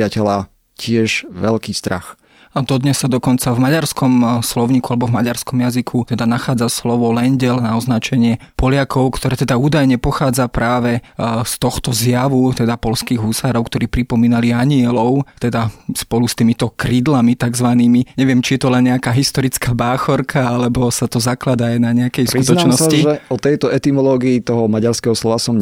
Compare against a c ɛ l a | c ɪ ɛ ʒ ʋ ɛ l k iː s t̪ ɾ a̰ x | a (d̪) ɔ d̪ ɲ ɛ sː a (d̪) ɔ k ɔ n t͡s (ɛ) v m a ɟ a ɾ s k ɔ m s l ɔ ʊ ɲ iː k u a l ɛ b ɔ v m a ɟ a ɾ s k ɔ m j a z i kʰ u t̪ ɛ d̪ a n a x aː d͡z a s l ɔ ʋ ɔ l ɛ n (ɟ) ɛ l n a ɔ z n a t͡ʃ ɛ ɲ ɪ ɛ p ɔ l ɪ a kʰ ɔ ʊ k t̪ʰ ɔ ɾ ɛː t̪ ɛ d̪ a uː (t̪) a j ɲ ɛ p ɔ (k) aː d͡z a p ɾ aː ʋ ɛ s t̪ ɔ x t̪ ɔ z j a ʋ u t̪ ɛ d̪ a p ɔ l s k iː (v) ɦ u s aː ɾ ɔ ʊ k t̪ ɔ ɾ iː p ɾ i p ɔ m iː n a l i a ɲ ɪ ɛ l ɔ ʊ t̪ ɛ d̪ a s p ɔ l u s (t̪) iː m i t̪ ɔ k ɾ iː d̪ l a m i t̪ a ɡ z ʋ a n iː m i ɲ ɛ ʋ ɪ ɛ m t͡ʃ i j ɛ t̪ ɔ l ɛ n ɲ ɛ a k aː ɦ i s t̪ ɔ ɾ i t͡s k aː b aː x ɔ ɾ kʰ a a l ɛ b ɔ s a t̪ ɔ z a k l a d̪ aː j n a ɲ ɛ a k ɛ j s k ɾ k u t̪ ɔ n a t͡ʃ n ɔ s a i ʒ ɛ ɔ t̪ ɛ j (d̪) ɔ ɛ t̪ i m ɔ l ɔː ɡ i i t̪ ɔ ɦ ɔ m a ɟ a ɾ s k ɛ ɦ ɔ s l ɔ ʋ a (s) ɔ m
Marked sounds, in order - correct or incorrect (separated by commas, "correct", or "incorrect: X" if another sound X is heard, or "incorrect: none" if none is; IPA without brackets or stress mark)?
correct, correct, incorrect: a, correct, incorrect: d̪, incorrect: x, incorrect: ɣ, correct, incorrect: t̪, correct